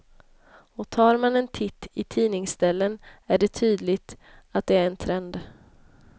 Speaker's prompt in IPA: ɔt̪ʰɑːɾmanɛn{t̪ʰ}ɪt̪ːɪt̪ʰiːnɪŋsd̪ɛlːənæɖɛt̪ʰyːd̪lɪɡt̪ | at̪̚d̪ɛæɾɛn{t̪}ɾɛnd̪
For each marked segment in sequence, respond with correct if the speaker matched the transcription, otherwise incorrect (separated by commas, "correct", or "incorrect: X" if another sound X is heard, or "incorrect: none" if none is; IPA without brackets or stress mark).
correct, incorrect: t̪ʰ